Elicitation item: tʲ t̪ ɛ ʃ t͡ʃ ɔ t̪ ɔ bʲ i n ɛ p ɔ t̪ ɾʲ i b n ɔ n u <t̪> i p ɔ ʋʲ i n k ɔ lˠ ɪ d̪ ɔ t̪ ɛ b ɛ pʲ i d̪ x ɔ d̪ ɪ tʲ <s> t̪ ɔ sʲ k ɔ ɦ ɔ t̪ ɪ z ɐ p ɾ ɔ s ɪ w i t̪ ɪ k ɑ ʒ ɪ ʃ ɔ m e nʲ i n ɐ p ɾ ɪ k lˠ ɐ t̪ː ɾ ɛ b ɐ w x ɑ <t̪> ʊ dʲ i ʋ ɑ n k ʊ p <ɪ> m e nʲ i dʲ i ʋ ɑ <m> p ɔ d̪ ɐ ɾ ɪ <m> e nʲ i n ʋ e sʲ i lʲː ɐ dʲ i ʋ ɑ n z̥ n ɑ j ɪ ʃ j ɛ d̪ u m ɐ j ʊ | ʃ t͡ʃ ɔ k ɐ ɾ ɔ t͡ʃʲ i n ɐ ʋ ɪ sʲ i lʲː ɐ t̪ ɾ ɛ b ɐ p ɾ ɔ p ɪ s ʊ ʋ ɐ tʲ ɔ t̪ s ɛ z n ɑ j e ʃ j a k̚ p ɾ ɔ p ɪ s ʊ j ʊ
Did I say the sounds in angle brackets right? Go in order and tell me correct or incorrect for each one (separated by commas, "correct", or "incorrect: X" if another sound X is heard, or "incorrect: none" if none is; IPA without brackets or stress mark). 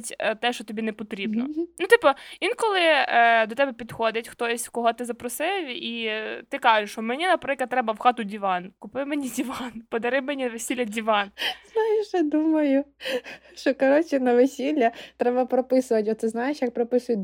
correct, incorrect: x, correct, correct, incorrect: n, correct